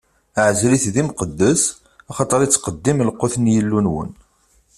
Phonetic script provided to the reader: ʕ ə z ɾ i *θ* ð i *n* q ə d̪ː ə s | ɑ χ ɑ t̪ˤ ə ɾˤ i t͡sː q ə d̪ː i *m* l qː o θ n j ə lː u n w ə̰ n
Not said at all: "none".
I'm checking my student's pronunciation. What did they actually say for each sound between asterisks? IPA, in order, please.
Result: θ, m, m

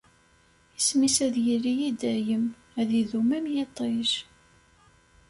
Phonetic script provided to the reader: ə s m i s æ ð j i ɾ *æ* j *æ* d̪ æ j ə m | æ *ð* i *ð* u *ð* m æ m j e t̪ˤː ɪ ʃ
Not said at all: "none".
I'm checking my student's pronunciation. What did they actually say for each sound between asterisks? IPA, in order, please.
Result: i, i, ð, ð, none

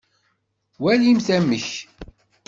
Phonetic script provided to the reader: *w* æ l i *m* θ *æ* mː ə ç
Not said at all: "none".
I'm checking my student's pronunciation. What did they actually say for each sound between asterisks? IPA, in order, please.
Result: w, m, æ

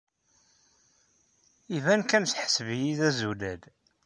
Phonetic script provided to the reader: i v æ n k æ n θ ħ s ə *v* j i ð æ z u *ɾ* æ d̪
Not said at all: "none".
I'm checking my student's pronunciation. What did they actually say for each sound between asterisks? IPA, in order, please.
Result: v, l

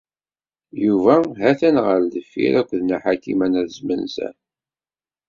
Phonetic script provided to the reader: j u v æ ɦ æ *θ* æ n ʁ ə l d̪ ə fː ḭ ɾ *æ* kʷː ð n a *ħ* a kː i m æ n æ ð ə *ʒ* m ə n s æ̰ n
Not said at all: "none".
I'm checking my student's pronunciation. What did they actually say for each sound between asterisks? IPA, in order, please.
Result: θ, æ, ħ, z

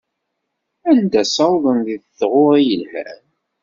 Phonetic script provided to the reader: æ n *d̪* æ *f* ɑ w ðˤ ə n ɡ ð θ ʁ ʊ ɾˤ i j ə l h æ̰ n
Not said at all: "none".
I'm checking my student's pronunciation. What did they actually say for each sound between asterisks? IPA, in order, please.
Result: d̪, s

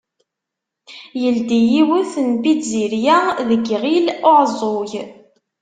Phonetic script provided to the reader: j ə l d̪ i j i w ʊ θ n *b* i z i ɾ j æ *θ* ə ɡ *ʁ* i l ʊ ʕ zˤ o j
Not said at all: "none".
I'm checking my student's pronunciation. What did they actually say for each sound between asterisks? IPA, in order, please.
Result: b, ð, ʁ

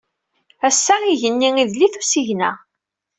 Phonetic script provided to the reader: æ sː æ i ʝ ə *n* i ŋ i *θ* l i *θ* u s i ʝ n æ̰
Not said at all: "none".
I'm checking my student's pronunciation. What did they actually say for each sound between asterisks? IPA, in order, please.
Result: nː, ð, θ

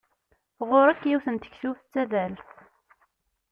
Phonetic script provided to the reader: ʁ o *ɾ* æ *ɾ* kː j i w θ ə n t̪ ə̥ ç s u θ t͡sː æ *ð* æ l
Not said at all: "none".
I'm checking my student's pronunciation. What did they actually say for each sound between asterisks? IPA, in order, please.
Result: ɾ, none, ð

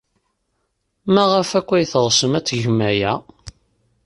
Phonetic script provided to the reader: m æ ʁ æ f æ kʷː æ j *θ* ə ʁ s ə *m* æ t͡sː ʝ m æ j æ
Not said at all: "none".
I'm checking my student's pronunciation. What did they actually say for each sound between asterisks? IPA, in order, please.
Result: θ, m

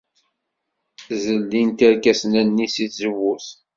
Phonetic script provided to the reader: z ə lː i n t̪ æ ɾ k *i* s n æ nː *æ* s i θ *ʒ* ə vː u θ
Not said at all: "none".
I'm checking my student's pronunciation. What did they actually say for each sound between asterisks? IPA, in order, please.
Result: æ, i, z

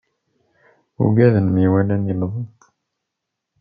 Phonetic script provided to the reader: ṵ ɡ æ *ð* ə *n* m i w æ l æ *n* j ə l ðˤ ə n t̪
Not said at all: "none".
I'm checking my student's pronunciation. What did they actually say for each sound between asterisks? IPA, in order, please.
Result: ð, n, n

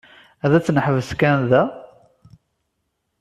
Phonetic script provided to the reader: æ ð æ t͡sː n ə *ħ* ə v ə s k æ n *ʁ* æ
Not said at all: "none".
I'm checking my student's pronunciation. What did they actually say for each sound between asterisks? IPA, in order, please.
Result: ħ, ð

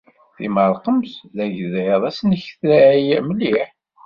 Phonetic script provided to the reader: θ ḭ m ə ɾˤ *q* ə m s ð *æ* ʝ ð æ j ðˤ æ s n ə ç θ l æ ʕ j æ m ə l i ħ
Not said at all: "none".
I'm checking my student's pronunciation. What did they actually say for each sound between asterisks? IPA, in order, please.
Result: q, æ

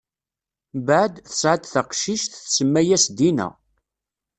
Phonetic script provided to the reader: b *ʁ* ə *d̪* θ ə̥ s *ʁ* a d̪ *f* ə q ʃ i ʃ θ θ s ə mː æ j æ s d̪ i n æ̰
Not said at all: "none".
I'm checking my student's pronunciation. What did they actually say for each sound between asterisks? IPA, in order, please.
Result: ʕ, d̪, ʕ, θ

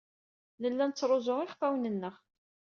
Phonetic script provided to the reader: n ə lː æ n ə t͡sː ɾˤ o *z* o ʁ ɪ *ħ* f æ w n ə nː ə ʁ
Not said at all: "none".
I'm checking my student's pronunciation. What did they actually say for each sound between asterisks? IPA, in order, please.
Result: z, χ

